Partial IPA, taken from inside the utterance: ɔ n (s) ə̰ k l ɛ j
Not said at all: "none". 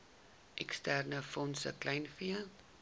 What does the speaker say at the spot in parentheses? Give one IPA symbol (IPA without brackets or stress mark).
s